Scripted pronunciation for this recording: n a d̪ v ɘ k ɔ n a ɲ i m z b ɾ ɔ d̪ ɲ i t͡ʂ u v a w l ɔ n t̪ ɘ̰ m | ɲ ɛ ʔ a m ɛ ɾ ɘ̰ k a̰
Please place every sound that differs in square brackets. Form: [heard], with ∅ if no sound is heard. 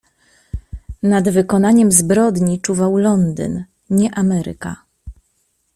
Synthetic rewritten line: n a d̪ v ɘ k ɔ n a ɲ [ɛ] m z b ɾ ɔ d̪ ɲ i t͡ʂ u v a w l ɔ n [d̪] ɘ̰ [n] | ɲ ɛ ʔ a m ɛ ɾ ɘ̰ k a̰